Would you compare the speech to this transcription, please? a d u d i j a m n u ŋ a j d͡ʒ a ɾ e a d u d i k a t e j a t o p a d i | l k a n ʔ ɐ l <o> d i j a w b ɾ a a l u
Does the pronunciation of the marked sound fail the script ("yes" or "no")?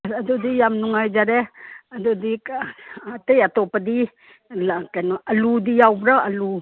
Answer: yes